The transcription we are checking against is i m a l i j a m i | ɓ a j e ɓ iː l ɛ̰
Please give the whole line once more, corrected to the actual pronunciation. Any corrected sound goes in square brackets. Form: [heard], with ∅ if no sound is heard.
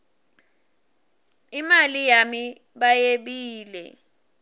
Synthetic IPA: i m a l i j a m i | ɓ a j e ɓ iː l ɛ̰